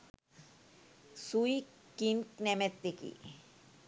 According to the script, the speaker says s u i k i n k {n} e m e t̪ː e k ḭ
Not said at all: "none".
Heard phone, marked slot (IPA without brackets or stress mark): n